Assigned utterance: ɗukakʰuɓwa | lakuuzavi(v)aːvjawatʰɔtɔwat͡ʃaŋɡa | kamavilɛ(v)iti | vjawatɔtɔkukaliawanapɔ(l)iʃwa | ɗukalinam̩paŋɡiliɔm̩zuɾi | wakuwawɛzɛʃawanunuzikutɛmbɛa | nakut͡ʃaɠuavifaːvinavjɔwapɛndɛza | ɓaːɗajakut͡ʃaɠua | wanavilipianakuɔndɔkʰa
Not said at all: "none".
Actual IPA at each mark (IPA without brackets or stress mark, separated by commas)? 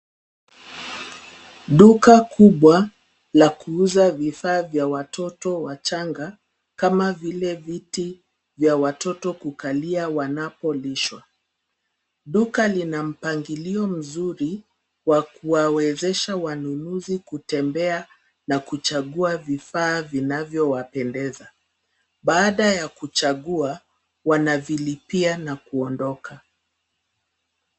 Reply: f, v, l